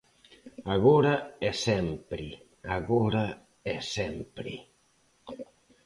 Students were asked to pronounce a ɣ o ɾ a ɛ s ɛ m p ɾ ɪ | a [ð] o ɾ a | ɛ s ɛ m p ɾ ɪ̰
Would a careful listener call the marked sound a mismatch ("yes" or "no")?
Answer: yes